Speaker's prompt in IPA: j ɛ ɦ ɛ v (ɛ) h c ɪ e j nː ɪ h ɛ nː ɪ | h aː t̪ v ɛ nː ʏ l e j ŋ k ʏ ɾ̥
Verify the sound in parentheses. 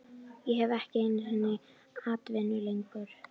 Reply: correct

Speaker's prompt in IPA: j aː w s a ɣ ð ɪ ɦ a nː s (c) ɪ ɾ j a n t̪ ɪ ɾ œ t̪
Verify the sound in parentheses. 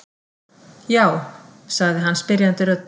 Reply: incorrect: p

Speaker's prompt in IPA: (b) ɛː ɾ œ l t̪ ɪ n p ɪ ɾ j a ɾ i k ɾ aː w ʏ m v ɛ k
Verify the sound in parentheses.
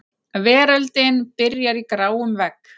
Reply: incorrect: v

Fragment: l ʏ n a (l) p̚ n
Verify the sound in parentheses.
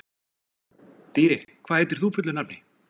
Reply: incorrect: none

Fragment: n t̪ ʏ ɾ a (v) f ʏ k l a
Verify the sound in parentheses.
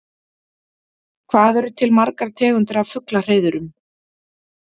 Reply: correct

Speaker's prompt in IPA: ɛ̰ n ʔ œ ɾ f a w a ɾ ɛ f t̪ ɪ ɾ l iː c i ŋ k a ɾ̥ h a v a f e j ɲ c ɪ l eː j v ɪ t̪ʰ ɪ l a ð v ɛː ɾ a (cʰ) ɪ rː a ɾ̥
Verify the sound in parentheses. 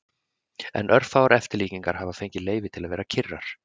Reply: correct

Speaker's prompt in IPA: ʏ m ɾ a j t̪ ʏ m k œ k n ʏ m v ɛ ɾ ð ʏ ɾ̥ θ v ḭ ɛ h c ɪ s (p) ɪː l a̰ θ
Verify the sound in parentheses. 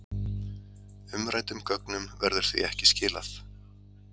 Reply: incorrect: c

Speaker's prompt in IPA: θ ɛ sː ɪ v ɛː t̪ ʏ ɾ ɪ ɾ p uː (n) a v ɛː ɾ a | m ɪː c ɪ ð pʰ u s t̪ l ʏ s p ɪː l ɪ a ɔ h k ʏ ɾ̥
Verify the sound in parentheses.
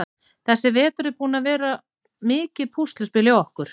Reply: correct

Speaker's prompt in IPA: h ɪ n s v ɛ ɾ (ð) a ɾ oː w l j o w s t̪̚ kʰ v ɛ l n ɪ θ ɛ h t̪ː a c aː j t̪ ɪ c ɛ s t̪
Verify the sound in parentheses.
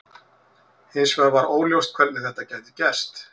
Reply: incorrect: v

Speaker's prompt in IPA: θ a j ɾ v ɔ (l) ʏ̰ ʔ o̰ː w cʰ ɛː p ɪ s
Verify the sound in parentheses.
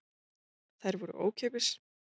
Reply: incorrect: ɾ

